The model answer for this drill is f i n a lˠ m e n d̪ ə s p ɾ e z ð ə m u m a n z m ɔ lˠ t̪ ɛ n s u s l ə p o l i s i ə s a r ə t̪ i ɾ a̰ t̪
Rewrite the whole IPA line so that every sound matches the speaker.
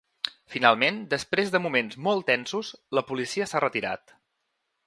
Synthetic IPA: f i n a lˠ m e n d̪ ə s p ɾ e z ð ə m u m e n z m ɔ lˠ t̪ ɛ n s u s l ə p u l i s i ə s a r ə t̪ i ɾ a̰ t̪